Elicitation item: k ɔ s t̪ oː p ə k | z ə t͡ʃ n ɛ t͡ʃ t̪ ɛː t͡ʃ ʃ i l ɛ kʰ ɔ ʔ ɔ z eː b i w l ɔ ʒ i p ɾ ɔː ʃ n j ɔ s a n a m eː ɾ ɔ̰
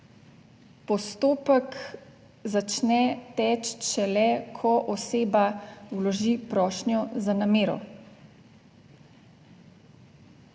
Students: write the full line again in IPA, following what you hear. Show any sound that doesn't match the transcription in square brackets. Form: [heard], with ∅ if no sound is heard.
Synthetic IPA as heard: [p] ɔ s t̪ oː p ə k | z [a] t͡ʃ n ɛ [∅] t̪ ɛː t͡ʃ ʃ [ɛ] l ɛ kʰ ɔ ʔ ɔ [s] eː b [a] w l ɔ ʒ i p ɾ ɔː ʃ n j ɔ [z] a n a m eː ɾ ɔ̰